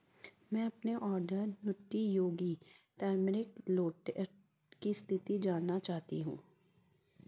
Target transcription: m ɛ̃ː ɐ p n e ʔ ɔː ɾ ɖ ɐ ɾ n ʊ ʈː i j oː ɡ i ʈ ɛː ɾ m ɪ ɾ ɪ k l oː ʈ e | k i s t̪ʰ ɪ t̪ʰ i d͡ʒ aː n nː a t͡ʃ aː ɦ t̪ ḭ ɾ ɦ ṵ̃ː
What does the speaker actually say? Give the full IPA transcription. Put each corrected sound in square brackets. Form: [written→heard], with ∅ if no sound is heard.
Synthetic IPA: m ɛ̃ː ɐ p n e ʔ ɔː ɾ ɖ [ɐ→ə] ɾ n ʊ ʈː i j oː ɡ i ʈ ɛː ɾ m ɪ ɾ ɪ k l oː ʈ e | k i s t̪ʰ ɪ [t̪ʰ→t̪] i d͡ʒ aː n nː a t͡ʃ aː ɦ t̪ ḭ [ɾ→∅] ɦ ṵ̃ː